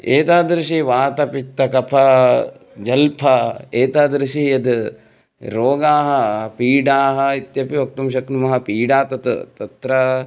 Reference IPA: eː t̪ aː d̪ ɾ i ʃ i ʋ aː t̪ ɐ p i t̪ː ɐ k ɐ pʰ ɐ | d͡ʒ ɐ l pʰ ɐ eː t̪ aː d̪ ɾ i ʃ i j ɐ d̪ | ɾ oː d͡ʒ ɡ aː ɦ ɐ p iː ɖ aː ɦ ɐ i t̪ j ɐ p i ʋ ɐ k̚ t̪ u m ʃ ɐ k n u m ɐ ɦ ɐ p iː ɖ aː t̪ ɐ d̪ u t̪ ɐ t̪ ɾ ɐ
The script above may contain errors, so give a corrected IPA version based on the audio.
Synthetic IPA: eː t̪ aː d̪ ɾ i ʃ i ʋ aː t̪ ɐ p i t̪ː ɐ k ɐ pʰ ɐ | d͡ʒ ɐ l pʰ ɐ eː t̪ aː d̪ ɾ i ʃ i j ɐ d̪ | ɾ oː ɡ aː ɦ ɐ p iː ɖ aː ɦ ɐ i t̪ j ɐ p i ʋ ɐ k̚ t̪ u m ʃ ɐ k n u m ɐ ɦ ɐ p iː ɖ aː t̪ ɐ t̪ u t̪ ɐ t̪ ɾ ɐ